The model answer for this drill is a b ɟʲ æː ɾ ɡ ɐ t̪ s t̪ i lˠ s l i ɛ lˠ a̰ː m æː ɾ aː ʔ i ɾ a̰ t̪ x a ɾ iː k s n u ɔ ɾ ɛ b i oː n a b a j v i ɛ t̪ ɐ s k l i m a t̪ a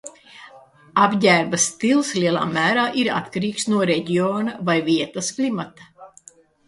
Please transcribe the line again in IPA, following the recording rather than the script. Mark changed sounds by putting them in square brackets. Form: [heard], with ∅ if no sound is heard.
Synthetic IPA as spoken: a b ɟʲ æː ɾ [b] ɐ [∅] s t̪ i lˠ s l i ɛ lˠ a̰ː m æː ɾ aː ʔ i ɾ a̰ t̪ [k] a ɾ iː k s n u ɔ ɾ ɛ [ɟ] i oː n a [v] a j v i ɛ t̪ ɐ s k l i m a t̪ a